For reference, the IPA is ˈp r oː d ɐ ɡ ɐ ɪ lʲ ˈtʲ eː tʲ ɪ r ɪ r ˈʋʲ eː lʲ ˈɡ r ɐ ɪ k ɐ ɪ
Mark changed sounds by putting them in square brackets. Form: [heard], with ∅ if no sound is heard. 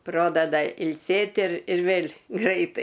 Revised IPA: ˈp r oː d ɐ [d] ɐ ɪ lʲ [ˈsʲ] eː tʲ ɪ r ɪ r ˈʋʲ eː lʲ ˈɡ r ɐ ɪ [t] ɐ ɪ